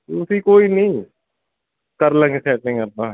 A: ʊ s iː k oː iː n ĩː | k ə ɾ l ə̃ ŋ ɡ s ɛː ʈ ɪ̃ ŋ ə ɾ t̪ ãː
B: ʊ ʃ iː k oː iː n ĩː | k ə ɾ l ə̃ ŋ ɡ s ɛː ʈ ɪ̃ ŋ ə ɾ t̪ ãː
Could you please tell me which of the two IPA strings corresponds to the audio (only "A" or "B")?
A